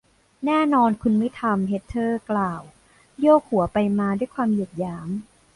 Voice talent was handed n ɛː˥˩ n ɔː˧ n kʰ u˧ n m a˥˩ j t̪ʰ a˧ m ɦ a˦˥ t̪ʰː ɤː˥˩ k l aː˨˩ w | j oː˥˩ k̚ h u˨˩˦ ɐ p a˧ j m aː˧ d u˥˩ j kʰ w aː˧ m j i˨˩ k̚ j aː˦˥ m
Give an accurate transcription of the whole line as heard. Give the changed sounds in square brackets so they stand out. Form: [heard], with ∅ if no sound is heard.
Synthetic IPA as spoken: n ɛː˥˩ n ɔː˧ n kʰ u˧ n m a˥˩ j t̪ʰ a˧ m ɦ [e˦˥] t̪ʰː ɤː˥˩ k l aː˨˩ w | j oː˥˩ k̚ h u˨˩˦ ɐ p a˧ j m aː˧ d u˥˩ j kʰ w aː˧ m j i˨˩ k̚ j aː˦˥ m